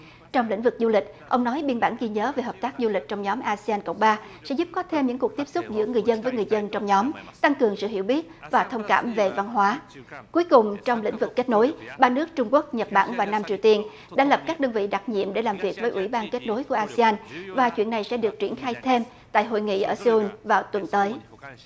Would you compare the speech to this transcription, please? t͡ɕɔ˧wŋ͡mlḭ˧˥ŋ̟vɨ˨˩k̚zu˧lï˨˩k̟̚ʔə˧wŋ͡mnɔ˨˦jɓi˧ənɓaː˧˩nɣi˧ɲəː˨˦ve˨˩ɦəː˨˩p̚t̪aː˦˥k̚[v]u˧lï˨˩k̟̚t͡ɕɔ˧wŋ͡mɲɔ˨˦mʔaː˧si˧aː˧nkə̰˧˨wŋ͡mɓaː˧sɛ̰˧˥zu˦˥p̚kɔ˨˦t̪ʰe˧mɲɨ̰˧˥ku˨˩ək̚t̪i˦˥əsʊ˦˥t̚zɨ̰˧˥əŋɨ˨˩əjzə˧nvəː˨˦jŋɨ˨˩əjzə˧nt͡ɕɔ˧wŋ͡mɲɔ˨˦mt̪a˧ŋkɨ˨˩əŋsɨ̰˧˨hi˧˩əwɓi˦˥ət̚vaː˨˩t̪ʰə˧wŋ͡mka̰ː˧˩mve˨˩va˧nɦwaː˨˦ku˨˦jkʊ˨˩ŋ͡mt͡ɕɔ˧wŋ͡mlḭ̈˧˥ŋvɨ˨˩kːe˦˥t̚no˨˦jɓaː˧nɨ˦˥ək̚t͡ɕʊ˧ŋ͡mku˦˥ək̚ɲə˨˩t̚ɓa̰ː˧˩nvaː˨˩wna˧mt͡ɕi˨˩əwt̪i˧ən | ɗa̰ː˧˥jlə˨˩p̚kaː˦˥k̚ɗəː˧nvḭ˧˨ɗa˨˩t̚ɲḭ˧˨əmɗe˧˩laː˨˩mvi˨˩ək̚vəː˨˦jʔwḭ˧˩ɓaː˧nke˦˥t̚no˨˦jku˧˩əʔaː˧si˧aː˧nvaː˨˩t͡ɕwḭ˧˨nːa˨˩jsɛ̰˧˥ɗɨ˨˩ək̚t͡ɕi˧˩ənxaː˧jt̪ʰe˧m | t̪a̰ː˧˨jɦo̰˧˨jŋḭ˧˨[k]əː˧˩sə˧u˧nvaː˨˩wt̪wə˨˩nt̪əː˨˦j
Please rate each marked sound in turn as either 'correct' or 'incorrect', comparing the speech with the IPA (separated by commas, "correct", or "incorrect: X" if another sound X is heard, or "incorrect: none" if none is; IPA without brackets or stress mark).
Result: incorrect: z, incorrect: ʔ